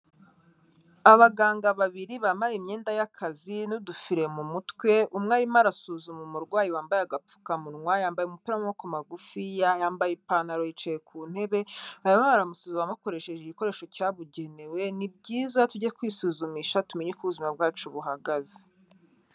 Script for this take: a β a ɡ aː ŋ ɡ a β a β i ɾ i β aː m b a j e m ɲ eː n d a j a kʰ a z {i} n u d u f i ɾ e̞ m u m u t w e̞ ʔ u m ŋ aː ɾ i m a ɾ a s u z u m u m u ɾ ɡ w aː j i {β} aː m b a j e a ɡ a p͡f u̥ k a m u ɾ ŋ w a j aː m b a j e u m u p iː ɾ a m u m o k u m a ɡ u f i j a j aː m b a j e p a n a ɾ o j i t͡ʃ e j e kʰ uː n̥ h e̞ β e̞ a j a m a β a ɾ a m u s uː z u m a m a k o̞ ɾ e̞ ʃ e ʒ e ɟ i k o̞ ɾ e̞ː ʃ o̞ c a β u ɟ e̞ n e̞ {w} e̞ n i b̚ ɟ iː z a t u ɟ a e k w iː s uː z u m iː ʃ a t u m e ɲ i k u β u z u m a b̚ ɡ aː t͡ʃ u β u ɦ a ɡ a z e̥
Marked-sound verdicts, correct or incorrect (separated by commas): correct, incorrect, correct